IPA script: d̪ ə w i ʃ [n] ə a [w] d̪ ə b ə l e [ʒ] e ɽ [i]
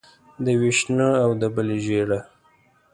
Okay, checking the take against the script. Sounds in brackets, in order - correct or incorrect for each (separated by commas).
correct, correct, correct, incorrect